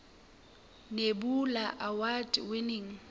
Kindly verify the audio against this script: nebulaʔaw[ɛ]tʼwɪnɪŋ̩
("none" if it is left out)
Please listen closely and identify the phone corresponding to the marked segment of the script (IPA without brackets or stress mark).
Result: a